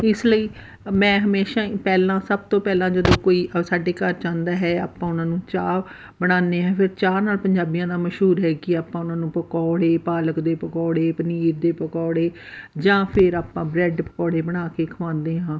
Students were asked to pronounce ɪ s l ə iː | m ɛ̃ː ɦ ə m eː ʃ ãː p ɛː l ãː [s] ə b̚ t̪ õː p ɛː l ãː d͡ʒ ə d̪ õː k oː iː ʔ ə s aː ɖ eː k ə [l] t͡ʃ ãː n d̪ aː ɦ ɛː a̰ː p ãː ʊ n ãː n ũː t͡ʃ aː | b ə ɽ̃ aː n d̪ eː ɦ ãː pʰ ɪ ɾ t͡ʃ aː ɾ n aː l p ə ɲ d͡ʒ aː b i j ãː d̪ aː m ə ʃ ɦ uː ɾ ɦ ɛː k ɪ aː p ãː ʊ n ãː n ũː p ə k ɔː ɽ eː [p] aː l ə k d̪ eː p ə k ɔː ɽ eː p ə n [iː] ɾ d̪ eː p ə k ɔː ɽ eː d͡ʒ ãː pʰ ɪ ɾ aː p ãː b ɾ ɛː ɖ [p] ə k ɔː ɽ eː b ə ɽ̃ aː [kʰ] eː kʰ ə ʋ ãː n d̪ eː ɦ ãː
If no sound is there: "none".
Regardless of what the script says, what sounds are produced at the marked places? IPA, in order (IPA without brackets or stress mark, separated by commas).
s, ɾ, p, iː, p, k